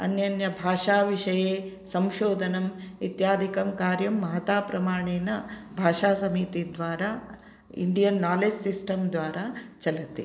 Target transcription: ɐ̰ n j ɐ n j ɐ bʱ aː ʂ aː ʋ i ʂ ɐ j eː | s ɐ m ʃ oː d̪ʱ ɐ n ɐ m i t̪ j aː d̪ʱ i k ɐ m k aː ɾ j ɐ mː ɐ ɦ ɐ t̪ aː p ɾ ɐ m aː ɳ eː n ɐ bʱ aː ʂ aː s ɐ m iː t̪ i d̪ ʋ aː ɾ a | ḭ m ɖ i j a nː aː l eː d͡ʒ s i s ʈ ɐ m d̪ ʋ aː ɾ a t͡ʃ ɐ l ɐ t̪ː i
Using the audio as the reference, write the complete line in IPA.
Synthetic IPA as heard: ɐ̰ n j ɐ n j ɐ bʱ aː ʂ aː ʋ i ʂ ɐ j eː | s ɐ m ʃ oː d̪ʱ ɐ n ɐ m i t̪ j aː d̪ʱ i k ɐ m k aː ɾ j ɐ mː ɐ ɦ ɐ t̪ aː p ɾ ɐ m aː ɳ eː n ɐ bʱ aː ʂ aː s ɐ m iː t̪ i d̪ ʋ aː ɾ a | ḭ ɳ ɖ i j ɐ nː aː l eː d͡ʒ s i s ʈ ɐ m d̪ ʋ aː ɾ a t͡ʃ ɐ l ɐ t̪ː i